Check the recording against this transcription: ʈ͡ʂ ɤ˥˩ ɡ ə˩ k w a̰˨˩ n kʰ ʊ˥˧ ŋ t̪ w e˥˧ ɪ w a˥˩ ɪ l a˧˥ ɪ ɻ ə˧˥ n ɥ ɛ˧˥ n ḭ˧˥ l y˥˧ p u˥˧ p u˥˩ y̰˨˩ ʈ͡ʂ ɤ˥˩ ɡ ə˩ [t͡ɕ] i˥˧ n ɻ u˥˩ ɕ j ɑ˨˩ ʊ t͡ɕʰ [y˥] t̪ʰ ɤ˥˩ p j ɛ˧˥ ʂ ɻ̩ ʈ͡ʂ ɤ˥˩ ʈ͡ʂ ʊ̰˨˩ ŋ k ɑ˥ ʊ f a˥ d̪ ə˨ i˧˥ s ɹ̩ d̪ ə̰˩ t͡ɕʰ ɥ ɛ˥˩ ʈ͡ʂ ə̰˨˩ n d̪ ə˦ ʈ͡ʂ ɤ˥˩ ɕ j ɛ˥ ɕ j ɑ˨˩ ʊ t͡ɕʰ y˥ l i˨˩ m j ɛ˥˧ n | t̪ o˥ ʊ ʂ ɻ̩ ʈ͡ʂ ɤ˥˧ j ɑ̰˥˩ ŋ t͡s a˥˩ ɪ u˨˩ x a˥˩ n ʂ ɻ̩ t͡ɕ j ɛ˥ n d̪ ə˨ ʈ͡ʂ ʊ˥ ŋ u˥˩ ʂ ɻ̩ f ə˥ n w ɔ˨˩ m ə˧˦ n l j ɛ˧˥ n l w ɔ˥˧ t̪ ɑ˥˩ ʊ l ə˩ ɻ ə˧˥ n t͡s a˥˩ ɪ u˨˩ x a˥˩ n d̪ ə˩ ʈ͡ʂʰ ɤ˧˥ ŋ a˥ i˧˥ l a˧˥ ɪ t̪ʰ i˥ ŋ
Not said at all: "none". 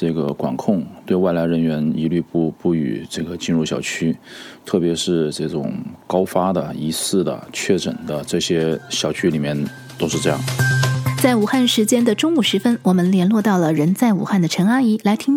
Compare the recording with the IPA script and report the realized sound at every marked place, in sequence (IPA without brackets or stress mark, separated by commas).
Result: t͡ɕ, y˥